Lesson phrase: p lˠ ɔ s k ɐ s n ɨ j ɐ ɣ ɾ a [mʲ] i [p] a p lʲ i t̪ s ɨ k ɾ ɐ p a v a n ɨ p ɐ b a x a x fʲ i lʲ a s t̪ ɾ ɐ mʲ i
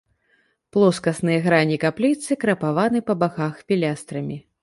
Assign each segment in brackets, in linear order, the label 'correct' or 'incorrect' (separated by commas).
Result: incorrect, incorrect